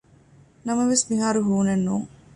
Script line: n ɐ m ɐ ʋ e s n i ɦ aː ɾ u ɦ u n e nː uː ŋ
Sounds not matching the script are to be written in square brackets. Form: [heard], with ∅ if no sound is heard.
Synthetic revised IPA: n ɐ m ɐ ʋ e s [m] i ɦ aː ɾ u ɦ [uː] n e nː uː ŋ